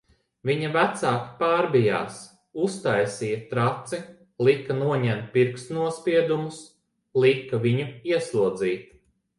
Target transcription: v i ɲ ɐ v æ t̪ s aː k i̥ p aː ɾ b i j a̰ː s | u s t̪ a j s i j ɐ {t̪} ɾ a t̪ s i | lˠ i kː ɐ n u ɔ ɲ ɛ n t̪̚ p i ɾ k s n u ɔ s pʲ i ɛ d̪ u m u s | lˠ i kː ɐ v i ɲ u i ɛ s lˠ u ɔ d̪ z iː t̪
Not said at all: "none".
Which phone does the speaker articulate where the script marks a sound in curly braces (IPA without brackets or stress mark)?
t̪